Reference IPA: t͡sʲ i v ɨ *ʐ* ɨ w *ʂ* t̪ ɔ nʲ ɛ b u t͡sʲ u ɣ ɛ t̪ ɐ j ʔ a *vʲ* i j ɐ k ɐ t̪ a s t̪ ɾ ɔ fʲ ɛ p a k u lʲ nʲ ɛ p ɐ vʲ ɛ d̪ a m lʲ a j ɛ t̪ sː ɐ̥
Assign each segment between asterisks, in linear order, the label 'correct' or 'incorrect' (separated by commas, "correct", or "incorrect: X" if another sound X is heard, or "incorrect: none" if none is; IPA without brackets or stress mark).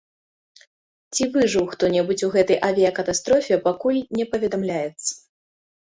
correct, incorrect: x, correct